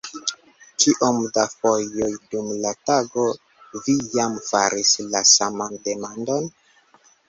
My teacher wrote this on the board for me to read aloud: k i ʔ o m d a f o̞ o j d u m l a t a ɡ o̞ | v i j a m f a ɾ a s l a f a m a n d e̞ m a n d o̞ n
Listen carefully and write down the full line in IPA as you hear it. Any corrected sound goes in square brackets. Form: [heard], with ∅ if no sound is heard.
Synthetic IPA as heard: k i ʔ o m d a f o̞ o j d u m l a t a ɡ o̞ | v i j a m f a ɾ [i] s l a [s] a m a n d e̞ m a n d o̞ n

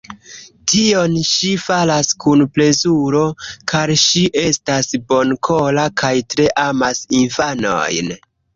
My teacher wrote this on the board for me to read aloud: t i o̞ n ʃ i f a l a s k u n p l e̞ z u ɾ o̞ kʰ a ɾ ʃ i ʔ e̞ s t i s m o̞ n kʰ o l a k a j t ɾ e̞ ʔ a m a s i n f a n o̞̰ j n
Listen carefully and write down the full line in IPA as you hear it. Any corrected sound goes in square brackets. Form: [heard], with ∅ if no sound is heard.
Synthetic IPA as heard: t i o̞ n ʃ i f a l a s k u n p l e̞ z u ɾ o̞ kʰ a ɾ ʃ i ʔ e̞ s t [a] s [b] o̞ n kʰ o l a k a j t ɾ e̞ ʔ a m a s i n f a n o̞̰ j n

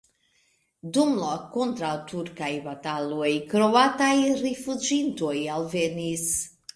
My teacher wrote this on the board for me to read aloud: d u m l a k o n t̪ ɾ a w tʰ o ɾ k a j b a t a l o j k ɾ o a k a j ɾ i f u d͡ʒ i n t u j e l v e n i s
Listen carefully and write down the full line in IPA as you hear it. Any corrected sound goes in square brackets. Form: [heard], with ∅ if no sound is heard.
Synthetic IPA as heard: d u m l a k o n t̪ ɾ a w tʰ [u] ɾ k a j b a t a l o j k ɾ o a [t] a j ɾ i f u d͡ʒ i n t [o] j [a] l v e n i s

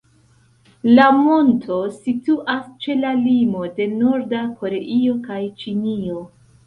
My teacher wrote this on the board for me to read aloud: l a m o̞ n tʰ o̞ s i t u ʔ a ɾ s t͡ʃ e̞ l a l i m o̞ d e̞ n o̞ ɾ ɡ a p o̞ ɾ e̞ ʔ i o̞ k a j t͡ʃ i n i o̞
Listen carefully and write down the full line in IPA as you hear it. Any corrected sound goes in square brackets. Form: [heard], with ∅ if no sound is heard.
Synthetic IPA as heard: l a m o̞ n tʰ o̞ s i t u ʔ a [∅] s t͡ʃ e̞ l a l i m o̞ d e̞ n o̞ ɾ [d] a [k] o̞ ɾ e̞ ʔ i o̞ k a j t͡ʃ i n i o̞

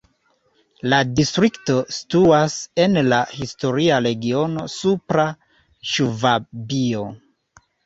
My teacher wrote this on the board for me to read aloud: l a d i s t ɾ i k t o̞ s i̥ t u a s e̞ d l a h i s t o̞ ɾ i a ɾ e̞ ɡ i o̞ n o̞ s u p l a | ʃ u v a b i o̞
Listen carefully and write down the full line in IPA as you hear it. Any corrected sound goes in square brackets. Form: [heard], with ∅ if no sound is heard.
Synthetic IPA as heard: l a d i s t ɾ i k t o̞ s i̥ t u a s e̞ [n] l a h i s t o̞ ɾ i a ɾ e̞ ɡ i o̞ n o̞ s u p [ɾ] a | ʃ u v a b i o̞

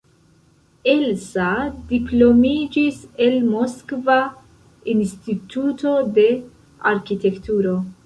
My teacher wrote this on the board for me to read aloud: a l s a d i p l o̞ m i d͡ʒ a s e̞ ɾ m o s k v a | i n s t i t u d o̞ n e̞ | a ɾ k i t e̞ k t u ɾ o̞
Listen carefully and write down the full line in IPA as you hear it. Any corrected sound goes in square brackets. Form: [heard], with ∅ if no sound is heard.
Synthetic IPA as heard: [e] l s a d i p l o̞ m i d͡ʒ [i] s e̞ [l] m o s k v a | i n s t i t u [t] o̞ [d] e̞ | a ɾ k i t e̞ k t u ɾ o̞

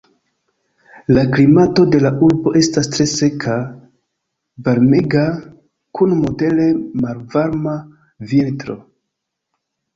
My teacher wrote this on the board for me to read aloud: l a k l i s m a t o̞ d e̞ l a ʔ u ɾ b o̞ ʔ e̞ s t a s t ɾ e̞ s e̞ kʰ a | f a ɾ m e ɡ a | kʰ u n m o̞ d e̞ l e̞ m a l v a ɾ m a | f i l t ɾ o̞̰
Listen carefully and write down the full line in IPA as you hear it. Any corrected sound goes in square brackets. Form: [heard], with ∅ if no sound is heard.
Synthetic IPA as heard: l a k l i [∅] m a t o̞ d e̞ l a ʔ u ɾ b o̞ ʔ e̞ s t a s t ɾ e̞ s e̞ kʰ a | [v] a ɾ m e ɡ a | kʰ u n m o̞ d e̞ l e̞ m a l v a ɾ m a | [v] i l t ɾ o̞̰

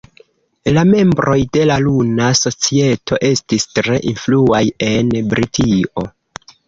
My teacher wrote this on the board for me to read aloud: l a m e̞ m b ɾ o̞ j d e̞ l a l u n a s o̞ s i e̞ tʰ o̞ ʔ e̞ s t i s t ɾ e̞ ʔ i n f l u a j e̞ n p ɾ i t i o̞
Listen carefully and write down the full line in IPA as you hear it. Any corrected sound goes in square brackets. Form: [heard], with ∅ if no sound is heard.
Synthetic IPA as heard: l a m e̞ m b ɾ o̞ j d e̞ l a l u n a s o̞ [t͡s] i e̞ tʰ o̞ ʔ e̞ s t i s t ɾ e̞ ʔ i n f l u a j e̞ n [b] ɾ i t i o̞

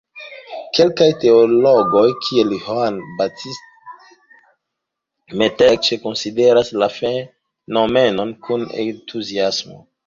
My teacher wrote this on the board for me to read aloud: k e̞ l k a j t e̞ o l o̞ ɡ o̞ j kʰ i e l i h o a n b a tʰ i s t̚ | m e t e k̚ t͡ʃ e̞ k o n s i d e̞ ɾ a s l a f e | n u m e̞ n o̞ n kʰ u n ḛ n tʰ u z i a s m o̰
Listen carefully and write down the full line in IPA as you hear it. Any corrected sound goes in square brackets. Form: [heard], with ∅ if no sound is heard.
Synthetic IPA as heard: k e̞ l k a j t e̞ o l o̞ ɡ o̞ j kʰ i e l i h o a n b a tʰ i s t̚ | m e t e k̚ t͡ʃ e̞ k o n s i d e̞ ɾ a s l a f e | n [o] m e̞ n o̞ n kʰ u n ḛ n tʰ u z i a s m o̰

